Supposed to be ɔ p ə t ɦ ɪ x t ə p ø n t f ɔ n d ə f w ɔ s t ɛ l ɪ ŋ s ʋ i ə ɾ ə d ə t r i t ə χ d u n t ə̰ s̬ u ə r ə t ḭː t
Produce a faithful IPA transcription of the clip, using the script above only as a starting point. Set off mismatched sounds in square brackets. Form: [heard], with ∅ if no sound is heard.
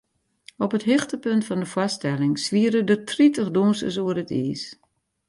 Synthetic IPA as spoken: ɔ p ə t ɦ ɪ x t ə p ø n t f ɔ n d ə f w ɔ s t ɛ l ɪ ŋ s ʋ i ə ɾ ə d ə t r i t ə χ d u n [s] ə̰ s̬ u ə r ə t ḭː [s]